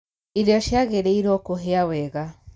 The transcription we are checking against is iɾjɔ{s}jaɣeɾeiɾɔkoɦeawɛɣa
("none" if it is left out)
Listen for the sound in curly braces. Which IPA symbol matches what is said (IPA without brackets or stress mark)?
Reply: ʃ